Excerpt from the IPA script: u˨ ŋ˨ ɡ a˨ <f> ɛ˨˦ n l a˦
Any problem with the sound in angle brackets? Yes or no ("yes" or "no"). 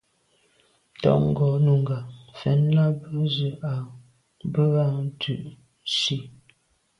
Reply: no